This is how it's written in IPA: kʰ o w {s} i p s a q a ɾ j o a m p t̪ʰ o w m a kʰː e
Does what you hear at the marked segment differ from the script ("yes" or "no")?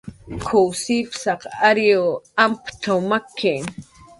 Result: no